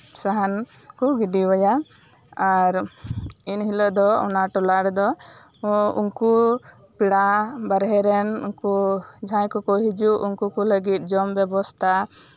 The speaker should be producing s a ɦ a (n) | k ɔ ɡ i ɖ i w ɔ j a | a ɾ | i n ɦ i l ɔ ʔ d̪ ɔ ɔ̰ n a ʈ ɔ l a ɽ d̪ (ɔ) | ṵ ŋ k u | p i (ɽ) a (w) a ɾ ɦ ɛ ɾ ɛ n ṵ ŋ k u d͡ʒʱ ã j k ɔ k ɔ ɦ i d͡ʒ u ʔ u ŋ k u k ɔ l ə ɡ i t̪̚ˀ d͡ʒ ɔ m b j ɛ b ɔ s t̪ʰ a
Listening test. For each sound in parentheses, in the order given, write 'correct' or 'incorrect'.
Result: correct, correct, correct, incorrect: b

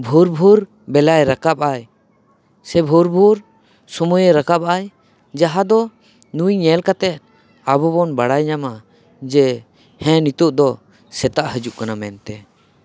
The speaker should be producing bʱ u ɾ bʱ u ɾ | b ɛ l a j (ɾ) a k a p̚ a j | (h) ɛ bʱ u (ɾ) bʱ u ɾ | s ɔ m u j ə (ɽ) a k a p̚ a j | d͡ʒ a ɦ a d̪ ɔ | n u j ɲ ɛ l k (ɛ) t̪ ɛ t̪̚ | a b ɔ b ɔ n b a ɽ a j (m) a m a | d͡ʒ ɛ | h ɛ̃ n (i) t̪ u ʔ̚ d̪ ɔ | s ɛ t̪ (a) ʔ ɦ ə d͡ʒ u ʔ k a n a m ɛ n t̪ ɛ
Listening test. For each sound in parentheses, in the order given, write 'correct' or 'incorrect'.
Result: correct, incorrect: s, correct, incorrect: ɾ, incorrect: a, incorrect: ɲ, correct, correct

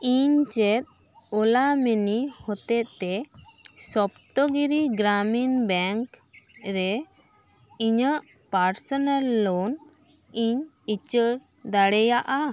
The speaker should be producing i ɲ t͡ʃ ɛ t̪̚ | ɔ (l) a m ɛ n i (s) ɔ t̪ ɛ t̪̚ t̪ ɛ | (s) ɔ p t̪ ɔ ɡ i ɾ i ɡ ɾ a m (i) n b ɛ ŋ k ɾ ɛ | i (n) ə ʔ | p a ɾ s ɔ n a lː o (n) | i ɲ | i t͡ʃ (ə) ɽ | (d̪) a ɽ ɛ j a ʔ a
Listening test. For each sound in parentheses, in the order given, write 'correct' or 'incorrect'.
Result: correct, incorrect: h, correct, correct, incorrect: ɲ, correct, correct, correct

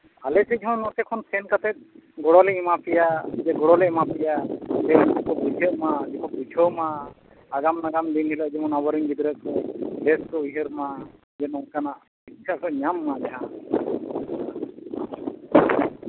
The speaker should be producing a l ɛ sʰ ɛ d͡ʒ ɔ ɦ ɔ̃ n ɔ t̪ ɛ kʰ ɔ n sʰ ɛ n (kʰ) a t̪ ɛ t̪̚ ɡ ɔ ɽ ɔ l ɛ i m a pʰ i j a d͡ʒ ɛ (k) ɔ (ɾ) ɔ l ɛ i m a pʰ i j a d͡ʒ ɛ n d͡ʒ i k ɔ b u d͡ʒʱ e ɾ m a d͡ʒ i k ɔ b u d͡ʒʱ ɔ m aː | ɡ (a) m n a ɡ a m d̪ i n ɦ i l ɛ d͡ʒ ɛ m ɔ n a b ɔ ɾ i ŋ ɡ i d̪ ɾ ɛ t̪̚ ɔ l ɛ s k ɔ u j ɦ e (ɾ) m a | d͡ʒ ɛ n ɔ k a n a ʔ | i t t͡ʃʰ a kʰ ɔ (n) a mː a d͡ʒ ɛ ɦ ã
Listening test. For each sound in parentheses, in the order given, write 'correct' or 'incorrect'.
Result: incorrect: k, incorrect: ɡ, incorrect: ɽ, correct, correct, incorrect: ɲ

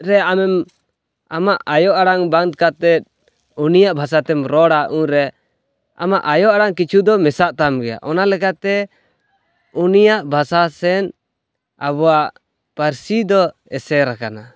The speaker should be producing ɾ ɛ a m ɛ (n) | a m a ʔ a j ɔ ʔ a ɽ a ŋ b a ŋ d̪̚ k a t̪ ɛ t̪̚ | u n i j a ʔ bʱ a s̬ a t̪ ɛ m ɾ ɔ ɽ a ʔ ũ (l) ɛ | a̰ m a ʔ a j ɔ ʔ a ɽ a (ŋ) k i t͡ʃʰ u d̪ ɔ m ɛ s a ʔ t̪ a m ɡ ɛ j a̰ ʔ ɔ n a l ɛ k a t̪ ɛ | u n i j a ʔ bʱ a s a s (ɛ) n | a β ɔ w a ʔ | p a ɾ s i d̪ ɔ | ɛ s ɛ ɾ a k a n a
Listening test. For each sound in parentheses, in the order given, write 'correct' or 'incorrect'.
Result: incorrect: m, incorrect: ɾ, correct, correct

